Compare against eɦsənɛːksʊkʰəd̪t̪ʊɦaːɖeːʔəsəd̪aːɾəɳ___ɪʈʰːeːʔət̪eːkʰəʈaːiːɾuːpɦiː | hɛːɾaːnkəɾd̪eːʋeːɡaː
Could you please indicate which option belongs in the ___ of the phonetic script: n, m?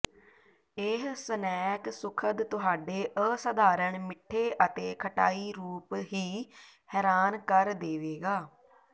m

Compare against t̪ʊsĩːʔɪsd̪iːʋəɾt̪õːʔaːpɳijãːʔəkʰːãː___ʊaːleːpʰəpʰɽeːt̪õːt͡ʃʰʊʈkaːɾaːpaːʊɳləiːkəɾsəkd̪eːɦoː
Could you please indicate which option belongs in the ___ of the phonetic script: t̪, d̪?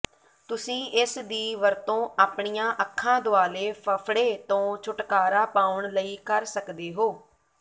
d̪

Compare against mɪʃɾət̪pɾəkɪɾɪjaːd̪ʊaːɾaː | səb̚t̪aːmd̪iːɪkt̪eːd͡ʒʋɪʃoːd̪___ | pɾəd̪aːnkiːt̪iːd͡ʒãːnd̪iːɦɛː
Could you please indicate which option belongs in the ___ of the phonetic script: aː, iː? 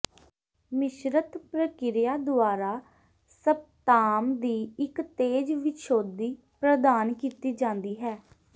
iː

